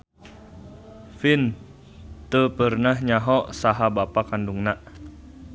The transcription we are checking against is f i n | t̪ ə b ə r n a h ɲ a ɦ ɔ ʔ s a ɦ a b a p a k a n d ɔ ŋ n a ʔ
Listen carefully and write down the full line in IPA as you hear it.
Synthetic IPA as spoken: f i n | t̪ ə p ə r n a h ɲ a ɦ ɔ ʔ s a ɦ a b a p a k a n d u ŋ n a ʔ